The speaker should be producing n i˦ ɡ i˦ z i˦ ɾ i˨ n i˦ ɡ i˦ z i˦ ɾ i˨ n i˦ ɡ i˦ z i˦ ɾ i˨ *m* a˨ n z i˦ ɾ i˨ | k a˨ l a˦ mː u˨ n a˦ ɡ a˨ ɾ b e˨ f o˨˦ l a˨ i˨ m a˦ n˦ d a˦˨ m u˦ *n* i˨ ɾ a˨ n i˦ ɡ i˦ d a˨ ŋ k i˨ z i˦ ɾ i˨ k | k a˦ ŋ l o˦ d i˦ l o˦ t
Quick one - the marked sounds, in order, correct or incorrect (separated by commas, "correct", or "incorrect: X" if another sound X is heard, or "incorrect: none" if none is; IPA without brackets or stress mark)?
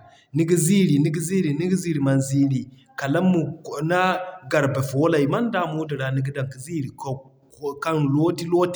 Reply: correct, incorrect: d